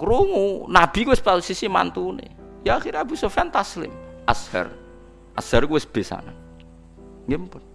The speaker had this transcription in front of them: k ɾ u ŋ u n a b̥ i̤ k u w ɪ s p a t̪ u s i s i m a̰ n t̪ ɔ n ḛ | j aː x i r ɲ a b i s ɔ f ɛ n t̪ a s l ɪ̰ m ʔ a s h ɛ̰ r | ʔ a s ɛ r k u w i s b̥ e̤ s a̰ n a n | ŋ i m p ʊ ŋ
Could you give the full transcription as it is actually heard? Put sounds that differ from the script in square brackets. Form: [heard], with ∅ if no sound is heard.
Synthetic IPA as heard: k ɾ u ŋ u n a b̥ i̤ k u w ɪ s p a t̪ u s i s i m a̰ n t̪ [u] n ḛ | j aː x i [ɾ] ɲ a b i s ɔ f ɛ n t̪ a s l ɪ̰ m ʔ a s h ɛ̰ r | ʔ a s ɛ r k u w [ɪ] s b̥ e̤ s a̰ n a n | ŋ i m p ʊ [n]

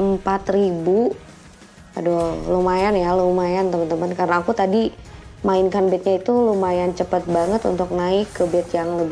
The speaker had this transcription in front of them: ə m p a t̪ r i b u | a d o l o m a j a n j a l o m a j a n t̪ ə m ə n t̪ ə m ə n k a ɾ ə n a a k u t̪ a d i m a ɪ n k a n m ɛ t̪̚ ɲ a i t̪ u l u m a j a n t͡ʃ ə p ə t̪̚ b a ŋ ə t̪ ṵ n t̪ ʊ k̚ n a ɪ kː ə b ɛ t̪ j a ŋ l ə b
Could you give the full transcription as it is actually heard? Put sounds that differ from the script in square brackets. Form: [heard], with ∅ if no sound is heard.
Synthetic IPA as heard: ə m p a t̪ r i b u | a d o l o m a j a n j a l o m a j a n t̪ ə m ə n t̪ ə m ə n k a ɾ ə n a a k u t̪ a d i m a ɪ n k a n [b] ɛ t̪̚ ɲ a i t̪ u l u m a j a n t͡ʃ ə p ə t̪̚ b a ŋ ə t̪ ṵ n t̪ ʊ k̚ n a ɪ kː ə b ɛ t̪ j a ŋ l ə b

